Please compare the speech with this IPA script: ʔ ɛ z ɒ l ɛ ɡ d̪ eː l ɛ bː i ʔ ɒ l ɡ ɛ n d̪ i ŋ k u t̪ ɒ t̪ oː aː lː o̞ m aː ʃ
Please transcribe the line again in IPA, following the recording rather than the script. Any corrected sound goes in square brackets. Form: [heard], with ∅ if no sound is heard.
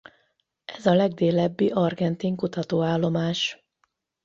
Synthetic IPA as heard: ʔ ɛ z ɒ l ɛ ɡ d̪ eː l ɛ bː i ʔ ɒ [r] ɡ ɛ n [t̪] i ŋ k u t̪ ɒ t̪ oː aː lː o̞ m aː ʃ